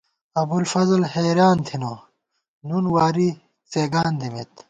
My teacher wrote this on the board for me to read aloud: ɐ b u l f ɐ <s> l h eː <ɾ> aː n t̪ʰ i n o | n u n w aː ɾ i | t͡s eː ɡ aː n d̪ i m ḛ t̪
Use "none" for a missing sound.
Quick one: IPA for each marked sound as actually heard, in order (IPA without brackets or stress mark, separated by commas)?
z, ɾ